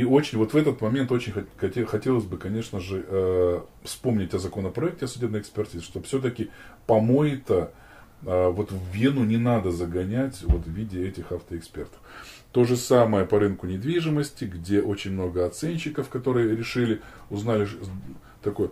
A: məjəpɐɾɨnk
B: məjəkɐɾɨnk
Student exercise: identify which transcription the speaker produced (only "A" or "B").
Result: A